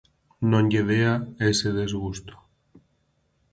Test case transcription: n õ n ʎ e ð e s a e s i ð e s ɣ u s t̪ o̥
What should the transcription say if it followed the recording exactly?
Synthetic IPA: n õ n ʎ e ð e a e s e ð e z ɣ u s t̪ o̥